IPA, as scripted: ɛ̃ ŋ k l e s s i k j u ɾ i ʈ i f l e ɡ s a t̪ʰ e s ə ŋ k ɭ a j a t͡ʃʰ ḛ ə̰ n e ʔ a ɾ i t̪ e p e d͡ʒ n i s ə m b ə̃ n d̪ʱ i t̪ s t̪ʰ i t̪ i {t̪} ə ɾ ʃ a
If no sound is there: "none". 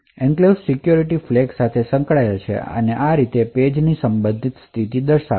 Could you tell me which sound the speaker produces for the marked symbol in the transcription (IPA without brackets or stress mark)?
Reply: d̪